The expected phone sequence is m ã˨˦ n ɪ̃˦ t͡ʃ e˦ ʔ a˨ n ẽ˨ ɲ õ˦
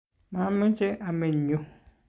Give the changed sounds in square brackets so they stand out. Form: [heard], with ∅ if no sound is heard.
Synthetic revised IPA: m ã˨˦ [m] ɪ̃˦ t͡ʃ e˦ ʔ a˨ [m] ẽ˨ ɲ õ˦